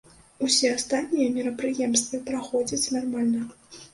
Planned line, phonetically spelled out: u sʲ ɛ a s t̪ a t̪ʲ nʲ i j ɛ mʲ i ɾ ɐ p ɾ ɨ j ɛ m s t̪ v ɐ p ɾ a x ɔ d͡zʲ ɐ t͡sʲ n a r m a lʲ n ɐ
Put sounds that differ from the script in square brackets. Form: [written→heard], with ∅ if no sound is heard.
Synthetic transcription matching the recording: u sʲ ɛ a s t̪ a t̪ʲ nʲ i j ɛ mʲ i ɾ ɐ p ɾ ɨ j ɛ m s t̪ v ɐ p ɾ a x ɔ d͡zʲ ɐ t͡sʲ n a r m a lʲ n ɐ